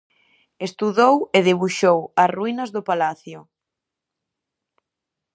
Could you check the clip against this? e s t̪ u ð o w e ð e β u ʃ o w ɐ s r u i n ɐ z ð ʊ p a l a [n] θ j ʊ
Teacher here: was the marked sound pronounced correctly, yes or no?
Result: no